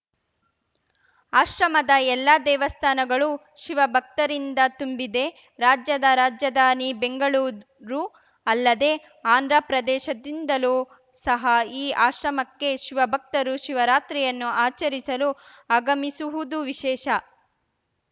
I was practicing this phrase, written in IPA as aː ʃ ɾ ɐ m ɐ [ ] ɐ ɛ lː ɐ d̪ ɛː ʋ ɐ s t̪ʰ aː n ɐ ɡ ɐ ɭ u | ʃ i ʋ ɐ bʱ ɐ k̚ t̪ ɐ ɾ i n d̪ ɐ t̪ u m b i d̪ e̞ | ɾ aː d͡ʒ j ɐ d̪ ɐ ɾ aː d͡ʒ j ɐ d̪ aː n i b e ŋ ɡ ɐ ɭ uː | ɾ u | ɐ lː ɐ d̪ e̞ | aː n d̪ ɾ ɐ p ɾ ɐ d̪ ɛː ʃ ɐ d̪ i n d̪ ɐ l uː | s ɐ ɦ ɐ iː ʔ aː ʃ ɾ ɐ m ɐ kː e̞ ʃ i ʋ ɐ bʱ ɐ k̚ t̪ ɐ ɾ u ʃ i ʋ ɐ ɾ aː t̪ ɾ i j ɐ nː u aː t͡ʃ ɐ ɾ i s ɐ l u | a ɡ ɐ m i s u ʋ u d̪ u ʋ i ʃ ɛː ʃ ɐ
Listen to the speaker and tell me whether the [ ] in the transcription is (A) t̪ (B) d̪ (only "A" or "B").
B